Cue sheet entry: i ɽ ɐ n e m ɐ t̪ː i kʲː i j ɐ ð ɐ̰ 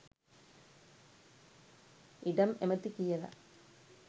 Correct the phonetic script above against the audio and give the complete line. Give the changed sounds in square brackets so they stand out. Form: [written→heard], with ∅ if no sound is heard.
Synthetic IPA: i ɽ ɐ [n→m] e m ɐ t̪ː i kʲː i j ɐ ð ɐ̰